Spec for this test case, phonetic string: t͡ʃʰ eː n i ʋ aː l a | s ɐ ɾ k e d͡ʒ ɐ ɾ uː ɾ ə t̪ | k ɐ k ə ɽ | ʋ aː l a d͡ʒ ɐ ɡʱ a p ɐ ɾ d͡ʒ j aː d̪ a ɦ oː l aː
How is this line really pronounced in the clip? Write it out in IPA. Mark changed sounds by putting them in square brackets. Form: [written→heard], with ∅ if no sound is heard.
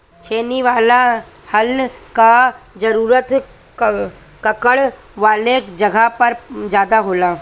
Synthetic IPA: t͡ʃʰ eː n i ʋ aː l a | [s→h] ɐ [ɾ→l] k [e→a] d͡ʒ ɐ ɾ uː ɾ ə t̪ | k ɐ k ə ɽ | ʋ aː l [a→e] d͡ʒ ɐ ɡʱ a p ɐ ɾ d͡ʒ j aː d̪ a ɦ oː l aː